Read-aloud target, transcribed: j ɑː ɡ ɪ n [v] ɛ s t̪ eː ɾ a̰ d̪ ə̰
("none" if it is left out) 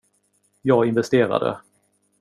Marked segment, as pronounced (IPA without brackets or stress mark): v